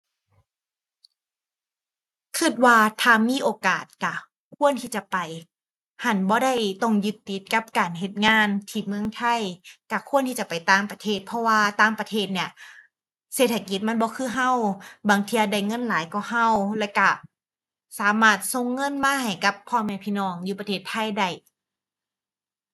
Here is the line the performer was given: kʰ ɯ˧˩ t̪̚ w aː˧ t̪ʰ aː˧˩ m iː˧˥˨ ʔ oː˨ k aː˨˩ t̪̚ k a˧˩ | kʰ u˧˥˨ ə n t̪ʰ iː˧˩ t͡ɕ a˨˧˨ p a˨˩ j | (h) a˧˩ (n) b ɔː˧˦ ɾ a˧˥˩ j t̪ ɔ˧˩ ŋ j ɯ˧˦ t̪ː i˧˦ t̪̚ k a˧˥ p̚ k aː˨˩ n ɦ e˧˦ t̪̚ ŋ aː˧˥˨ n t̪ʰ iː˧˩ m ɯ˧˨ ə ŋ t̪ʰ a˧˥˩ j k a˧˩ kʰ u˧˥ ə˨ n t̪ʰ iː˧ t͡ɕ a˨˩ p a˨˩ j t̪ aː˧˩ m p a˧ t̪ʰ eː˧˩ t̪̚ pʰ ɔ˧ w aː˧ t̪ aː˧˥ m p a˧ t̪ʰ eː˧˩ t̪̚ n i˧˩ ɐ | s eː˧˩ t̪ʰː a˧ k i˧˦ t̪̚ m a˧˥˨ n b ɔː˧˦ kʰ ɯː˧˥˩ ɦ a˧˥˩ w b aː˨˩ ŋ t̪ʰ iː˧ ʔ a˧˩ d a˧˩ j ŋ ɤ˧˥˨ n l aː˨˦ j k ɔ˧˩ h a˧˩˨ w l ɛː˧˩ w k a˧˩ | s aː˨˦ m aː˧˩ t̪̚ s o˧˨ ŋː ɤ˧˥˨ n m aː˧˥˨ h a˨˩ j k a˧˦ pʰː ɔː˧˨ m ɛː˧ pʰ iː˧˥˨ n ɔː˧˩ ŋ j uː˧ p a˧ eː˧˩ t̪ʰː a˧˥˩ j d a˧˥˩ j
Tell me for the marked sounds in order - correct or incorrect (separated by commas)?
correct, correct